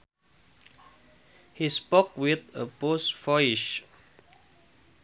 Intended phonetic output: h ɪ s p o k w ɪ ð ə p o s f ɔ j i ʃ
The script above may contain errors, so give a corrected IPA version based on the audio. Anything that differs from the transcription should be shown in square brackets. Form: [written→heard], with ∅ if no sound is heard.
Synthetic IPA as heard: h [ɪ→i] s p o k w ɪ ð ə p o s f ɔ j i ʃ